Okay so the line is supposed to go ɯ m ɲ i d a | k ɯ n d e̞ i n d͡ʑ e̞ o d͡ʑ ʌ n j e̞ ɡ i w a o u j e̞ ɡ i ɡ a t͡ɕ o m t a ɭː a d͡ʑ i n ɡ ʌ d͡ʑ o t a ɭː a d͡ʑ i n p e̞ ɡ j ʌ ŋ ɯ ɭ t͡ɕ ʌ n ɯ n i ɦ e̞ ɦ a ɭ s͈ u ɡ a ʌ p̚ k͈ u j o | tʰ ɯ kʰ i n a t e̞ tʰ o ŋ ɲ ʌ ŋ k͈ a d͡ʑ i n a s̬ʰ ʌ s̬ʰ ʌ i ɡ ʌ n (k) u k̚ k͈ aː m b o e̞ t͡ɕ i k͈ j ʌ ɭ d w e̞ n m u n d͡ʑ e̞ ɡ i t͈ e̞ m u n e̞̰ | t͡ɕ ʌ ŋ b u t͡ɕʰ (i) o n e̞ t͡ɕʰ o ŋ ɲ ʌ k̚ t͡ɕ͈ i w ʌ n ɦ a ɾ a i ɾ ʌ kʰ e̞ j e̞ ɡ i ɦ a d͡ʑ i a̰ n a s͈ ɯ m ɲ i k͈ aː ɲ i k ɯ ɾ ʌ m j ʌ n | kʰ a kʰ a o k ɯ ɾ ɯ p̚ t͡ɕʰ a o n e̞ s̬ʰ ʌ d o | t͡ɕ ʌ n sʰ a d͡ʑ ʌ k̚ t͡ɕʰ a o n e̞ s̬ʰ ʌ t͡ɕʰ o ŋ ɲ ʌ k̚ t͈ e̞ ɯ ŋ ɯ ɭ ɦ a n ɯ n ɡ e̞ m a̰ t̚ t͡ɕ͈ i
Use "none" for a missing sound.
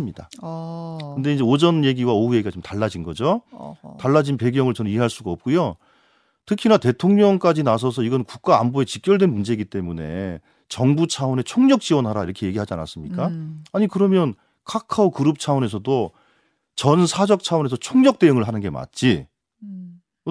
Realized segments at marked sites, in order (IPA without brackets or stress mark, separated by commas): k, a